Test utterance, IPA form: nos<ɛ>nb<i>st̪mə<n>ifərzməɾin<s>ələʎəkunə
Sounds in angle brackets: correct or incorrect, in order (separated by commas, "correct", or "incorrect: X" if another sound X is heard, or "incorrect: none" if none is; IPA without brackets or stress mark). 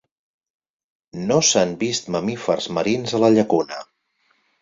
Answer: incorrect: a, correct, incorrect: m, incorrect: z